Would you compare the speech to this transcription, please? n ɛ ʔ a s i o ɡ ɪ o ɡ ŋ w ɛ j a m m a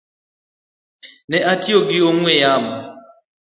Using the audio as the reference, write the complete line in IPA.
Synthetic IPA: n ɛ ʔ a t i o ɡ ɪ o ŋ w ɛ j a m b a